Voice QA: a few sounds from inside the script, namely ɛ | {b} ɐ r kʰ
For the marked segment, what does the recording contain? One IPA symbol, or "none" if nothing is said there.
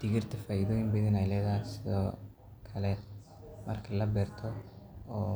m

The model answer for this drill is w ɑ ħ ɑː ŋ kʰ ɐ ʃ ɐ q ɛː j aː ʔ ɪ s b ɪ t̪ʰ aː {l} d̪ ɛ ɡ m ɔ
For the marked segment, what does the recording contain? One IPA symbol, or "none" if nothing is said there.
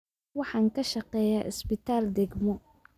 l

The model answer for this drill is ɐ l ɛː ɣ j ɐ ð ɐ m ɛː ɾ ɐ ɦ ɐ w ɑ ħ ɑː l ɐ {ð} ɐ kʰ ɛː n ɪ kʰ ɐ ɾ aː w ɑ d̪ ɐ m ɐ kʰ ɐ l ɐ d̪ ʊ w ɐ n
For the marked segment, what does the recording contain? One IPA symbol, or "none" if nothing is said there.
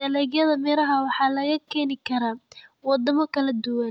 ɣ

